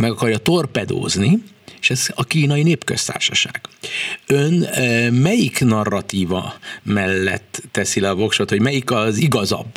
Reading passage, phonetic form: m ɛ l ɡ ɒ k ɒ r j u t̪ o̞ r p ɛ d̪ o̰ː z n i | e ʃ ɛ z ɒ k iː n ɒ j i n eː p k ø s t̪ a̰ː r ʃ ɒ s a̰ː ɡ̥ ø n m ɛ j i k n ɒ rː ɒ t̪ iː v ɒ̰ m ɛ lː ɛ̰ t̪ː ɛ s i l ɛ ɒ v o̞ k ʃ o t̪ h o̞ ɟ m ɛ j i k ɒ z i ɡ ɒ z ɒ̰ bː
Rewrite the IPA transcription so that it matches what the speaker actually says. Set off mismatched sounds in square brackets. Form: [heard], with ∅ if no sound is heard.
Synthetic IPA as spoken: m ɛ [∅] ɡ ɒ k ɒ r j [ɒ] t̪ o̞ r p ɛ d̪ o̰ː z n i | e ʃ ɛ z ɒ k iː n ɒ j i n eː p k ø s t̪ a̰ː r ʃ ɒ [ʃ] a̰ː ɡ̥ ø n m ɛ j i k n ɒ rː ɒ t̪ iː v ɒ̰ m ɛ lː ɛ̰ t̪ː ɛ s i l ɛ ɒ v o̞ k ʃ o t̪ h o̞ ɟ m ɛ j i k ɒ z i ɡ ɒ z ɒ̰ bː